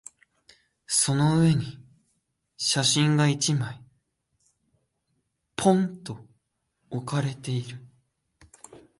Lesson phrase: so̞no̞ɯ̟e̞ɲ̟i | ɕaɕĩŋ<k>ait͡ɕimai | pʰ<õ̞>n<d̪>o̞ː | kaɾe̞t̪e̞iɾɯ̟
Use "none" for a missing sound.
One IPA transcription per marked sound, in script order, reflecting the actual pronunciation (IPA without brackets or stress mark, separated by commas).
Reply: ɡ, õ̞, t̪